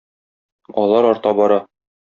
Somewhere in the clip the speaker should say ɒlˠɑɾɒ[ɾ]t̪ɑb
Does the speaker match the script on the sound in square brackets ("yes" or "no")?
yes